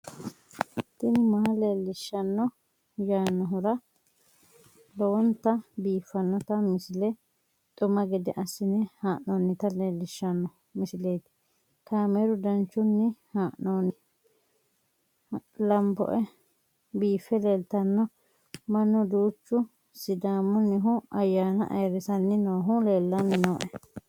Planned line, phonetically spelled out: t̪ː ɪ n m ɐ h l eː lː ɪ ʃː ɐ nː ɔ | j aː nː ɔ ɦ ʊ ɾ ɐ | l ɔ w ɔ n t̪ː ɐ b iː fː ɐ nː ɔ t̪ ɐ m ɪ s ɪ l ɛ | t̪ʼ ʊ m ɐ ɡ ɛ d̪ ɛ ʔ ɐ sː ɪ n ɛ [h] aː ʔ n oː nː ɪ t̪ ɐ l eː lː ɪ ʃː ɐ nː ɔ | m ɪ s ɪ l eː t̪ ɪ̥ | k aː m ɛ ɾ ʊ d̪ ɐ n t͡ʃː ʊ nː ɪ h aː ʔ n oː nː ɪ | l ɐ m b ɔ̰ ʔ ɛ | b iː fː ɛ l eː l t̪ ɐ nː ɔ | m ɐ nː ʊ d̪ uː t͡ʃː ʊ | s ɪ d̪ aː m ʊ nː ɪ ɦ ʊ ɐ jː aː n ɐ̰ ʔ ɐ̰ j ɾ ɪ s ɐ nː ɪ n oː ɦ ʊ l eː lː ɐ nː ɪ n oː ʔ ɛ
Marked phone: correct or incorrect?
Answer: correct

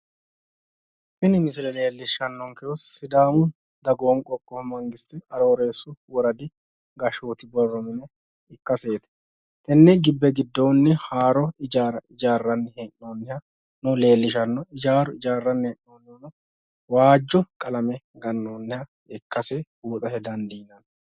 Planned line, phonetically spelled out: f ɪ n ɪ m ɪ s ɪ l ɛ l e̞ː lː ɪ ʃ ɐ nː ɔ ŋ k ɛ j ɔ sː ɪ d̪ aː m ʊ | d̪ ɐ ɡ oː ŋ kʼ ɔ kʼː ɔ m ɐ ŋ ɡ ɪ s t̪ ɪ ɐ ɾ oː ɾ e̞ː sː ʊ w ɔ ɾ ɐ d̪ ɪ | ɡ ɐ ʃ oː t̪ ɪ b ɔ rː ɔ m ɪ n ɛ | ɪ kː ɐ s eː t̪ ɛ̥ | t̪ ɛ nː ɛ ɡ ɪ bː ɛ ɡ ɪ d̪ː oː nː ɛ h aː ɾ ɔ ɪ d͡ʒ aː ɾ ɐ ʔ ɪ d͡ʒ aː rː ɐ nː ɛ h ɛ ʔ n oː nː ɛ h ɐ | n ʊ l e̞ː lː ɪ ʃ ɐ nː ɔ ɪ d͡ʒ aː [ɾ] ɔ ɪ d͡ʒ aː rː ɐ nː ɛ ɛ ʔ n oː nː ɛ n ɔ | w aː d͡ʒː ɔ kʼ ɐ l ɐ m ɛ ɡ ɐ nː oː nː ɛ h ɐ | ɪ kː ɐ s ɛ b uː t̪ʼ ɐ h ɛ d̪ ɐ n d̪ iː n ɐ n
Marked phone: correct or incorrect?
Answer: correct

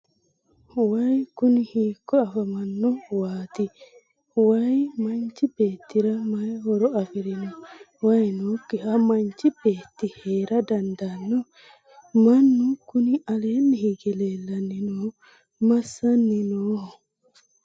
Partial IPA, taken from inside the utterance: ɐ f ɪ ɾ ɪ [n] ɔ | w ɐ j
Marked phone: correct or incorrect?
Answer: correct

